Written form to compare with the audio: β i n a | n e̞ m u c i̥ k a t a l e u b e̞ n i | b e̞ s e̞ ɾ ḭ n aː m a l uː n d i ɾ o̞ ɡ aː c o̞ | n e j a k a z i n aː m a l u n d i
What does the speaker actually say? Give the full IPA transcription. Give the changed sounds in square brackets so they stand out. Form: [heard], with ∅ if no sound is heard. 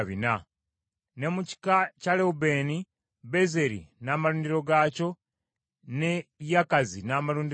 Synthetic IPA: β i n a | n e̞ m u c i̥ k a [c] a l e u b e̞ n i | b e̞ [z] e̞ ɾ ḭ n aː m a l uː n d i ɾ o̞ ɡ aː c o̞ | n e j a k a z i n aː m a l [uː] n d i